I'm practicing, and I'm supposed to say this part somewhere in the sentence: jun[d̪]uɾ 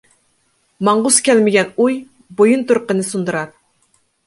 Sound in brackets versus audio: incorrect: t̪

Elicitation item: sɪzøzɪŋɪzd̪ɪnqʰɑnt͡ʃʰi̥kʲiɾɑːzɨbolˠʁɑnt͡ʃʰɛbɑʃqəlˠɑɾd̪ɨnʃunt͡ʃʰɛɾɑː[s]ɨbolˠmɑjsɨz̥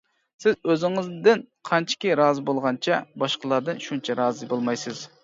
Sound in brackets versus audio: incorrect: z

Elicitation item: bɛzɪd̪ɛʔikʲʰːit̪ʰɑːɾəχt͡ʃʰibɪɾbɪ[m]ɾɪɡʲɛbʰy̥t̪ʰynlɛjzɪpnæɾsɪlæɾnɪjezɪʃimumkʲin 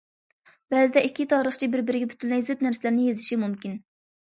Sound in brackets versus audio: incorrect: none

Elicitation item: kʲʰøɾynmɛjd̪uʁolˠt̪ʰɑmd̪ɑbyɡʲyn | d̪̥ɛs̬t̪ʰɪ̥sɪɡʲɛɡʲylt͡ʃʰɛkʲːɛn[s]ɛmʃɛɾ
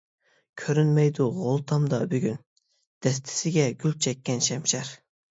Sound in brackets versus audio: incorrect: ʃ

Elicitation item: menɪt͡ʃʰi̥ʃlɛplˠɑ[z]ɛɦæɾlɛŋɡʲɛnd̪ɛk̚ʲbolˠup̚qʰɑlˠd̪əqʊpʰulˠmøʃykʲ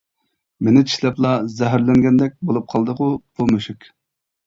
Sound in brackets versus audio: correct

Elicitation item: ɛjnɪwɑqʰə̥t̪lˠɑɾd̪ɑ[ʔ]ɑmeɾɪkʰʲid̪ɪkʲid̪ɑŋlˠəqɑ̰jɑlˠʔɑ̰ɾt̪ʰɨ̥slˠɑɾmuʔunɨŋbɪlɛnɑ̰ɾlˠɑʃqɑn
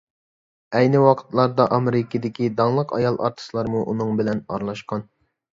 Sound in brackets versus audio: correct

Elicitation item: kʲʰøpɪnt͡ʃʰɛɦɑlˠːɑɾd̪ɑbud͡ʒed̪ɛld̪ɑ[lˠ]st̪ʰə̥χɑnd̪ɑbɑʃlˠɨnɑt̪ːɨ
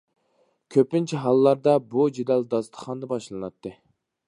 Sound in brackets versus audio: incorrect: none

